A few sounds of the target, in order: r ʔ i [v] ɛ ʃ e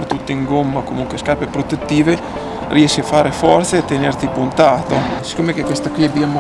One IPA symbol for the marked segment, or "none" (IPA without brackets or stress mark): none